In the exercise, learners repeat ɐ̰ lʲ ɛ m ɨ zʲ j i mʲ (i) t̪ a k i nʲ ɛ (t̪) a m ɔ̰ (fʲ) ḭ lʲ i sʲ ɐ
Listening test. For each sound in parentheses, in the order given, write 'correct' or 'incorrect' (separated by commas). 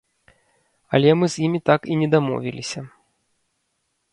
correct, incorrect, incorrect